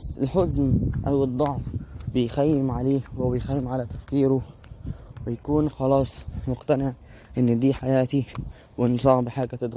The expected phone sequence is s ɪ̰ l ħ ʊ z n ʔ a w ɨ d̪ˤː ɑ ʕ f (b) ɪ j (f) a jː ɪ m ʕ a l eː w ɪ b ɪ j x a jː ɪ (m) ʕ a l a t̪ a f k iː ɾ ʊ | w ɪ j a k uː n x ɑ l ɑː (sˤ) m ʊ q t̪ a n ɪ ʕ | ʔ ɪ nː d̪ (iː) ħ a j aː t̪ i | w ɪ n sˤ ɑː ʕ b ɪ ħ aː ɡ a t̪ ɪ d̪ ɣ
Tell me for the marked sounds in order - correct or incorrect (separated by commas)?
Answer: correct, incorrect, correct, correct, correct